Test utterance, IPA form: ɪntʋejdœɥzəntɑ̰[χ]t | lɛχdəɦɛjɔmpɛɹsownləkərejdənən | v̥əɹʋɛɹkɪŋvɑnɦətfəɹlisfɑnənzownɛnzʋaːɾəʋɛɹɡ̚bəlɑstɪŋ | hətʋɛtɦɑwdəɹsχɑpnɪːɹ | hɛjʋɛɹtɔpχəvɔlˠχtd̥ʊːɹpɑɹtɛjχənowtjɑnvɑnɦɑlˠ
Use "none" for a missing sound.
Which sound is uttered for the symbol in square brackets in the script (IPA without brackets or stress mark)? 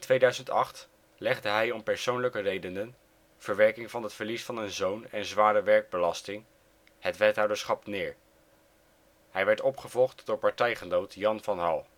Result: χ